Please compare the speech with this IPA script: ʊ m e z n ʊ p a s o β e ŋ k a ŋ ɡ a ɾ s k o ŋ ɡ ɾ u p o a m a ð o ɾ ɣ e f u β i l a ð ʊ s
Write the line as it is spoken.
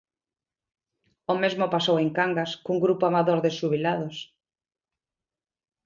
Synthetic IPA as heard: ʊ m e z m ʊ p a s o w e ŋ k a ŋ ɡ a s k u ŋ ɡ ɾ u p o a m a ð o ɾ ð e ʃ u β i l a ð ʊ s